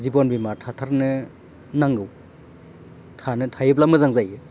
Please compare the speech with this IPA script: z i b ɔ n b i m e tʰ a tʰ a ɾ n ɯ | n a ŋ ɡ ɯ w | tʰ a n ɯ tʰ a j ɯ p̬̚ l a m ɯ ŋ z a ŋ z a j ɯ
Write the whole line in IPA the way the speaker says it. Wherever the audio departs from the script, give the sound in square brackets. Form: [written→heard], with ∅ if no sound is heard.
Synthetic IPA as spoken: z i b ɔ n b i m [e→a] tʰ a tʰ a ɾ n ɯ | n a ŋ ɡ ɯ w | tʰ a n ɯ tʰ a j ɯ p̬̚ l a m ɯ [ŋ→∅] z a ŋ z a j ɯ